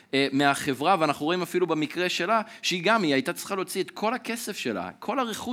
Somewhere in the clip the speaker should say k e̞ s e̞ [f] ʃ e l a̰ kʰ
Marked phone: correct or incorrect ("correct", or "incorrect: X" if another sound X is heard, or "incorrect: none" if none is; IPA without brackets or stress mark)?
correct